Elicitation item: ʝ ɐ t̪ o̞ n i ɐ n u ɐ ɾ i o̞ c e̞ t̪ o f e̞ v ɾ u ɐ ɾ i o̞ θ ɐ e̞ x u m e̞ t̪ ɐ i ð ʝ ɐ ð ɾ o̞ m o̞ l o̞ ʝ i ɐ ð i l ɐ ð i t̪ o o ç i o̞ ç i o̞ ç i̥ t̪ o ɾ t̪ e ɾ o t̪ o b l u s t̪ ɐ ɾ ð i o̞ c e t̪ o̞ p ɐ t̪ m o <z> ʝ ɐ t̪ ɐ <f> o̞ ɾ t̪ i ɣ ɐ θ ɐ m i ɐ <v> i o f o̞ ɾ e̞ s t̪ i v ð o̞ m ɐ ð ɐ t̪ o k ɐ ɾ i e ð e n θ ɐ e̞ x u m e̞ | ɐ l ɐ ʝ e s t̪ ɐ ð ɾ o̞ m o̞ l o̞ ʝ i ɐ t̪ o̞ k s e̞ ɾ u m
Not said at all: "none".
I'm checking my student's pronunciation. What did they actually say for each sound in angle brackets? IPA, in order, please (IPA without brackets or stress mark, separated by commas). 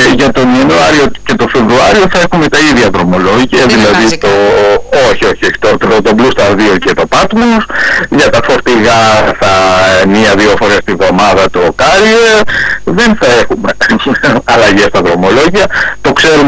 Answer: s, f, ð